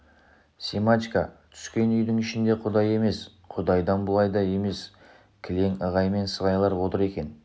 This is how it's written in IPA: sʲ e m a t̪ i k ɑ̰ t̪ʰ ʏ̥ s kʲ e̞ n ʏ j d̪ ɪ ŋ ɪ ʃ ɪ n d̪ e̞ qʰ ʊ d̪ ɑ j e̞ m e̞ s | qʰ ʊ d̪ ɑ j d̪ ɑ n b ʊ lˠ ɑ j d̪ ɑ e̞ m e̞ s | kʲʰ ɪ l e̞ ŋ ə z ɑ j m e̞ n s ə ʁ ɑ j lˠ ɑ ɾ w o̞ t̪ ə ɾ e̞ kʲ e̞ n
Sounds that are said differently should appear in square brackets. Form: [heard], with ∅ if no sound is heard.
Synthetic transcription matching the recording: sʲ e m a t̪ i k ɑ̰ t̪ʰ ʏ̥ s kʲ e̞ n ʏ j d̪ ɪ ŋ ɪ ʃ ɪ n d̪ e̞ qʰ ʊ d̪ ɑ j e̞ m e̞ s | qʰ ʊ d̪ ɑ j d̪ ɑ n b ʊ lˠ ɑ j d̪ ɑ e̞ m e̞ s | kʲʰ ɪ l e̞ ŋ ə [ʁ] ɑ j m e̞ n s ə ʁ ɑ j lˠ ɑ ɾ w o̞ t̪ ə ɾ e̞ kʲ e̞ n